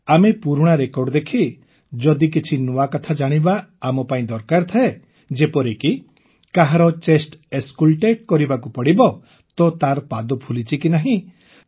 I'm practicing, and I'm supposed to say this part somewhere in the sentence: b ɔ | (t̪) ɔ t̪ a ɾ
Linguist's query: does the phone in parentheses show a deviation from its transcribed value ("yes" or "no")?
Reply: no